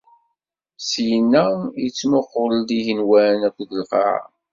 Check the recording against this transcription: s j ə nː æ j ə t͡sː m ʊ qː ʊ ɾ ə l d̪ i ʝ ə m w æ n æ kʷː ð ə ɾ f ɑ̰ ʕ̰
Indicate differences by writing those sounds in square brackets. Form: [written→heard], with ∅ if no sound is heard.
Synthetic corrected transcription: s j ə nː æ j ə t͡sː m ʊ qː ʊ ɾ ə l d̪ i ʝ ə [m→n] w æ n æ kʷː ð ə [ɾ→l] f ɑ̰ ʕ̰